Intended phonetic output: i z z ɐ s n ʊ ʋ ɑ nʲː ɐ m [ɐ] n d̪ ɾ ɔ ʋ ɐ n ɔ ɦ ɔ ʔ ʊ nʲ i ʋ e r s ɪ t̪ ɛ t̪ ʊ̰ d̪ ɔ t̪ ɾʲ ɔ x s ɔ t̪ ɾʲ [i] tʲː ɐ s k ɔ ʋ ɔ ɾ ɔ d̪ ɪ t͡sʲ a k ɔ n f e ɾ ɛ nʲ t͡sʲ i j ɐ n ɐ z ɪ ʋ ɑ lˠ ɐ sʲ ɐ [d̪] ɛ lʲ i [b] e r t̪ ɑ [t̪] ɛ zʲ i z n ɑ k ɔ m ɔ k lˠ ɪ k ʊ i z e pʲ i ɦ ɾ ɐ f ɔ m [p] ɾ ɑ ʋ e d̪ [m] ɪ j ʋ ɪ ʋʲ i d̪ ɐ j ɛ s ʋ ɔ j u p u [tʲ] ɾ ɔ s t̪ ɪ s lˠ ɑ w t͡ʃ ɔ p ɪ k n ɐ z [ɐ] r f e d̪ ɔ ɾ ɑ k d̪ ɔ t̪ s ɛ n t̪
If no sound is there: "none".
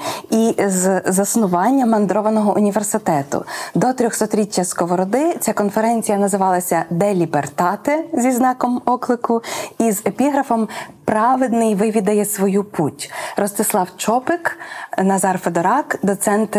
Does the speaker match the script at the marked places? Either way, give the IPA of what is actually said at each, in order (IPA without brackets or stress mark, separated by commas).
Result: ɐ, i, d̪, b, t̪, p, n, tʲ, ɑ